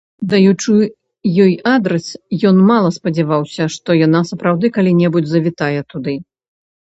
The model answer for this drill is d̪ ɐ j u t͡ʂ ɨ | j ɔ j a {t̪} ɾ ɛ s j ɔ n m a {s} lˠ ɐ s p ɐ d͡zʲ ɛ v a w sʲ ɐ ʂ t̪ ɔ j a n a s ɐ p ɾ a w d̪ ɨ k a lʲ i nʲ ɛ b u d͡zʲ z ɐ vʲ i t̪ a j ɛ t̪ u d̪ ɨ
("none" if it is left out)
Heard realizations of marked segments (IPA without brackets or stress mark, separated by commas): d̪, none